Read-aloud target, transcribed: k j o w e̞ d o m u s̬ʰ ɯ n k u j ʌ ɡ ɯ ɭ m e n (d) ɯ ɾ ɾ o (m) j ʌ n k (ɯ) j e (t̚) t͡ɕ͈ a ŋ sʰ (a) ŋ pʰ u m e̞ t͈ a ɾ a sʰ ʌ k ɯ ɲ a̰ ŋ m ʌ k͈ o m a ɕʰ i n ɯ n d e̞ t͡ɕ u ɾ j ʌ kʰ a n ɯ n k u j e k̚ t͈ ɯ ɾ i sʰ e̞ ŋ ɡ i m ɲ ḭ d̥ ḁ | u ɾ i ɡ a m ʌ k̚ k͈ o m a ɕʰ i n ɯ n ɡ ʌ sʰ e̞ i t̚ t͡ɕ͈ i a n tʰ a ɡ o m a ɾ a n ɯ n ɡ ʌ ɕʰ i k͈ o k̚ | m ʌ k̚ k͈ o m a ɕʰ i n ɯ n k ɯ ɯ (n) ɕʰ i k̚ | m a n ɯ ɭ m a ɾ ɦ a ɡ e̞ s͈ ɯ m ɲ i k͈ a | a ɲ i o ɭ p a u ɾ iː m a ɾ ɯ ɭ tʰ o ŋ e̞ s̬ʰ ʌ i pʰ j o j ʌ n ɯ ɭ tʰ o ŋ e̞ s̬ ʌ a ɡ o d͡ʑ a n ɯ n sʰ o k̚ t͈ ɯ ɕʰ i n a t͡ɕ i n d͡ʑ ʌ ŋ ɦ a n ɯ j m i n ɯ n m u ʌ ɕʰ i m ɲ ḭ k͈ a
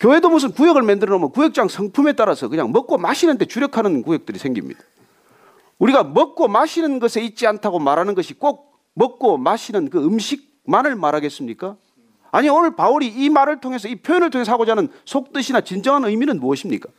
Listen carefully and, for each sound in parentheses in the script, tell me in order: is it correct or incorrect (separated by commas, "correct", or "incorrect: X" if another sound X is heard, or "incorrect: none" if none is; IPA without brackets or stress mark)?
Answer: correct, correct, incorrect: u, incorrect: k̚, incorrect: ʌ, incorrect: m